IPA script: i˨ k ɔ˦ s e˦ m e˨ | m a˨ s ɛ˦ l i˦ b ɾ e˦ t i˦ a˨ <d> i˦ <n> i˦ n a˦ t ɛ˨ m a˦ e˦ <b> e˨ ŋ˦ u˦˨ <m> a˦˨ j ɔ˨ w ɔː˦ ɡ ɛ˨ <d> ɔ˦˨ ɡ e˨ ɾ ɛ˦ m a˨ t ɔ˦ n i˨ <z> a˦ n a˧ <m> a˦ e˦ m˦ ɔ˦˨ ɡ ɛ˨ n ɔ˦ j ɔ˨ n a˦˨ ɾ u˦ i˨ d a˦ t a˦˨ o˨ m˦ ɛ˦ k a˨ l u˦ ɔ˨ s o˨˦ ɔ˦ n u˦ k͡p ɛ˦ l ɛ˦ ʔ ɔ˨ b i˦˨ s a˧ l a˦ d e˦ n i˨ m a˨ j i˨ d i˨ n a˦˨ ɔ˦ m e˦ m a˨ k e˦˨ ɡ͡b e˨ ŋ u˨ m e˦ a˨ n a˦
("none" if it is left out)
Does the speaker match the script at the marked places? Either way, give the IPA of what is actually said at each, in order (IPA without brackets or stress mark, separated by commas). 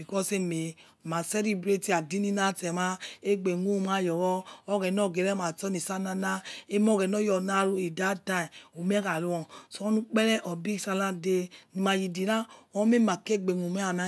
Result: d, n, ɡ͡b, m, n, s, n